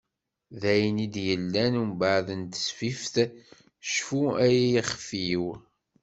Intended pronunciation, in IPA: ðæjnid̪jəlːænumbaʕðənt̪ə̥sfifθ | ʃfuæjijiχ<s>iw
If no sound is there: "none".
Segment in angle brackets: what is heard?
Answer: f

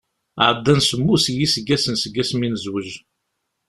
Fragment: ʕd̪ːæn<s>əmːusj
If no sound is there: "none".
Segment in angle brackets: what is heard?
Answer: s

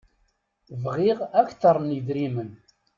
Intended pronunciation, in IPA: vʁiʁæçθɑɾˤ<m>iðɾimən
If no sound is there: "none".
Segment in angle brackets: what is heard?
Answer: n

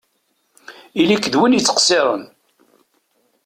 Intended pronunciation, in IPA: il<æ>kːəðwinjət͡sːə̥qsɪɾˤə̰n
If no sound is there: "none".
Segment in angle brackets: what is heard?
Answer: i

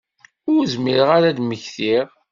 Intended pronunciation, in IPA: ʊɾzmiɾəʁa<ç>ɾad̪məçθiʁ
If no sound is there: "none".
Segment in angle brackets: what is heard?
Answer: none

